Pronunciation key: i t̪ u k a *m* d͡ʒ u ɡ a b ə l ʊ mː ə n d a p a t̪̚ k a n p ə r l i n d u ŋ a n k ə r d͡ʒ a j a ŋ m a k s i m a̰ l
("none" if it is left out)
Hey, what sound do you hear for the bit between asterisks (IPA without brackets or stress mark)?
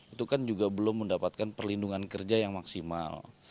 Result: n